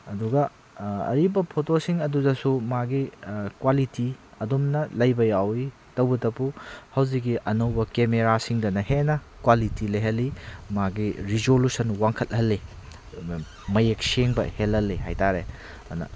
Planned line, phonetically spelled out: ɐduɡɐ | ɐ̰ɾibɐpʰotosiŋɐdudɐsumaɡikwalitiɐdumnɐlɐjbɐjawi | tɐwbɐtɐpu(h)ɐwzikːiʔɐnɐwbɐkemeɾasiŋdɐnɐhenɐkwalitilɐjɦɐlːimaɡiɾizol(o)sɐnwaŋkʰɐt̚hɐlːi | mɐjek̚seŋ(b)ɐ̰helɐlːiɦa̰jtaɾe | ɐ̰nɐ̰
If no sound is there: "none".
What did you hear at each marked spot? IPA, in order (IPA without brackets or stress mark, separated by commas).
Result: h, u, b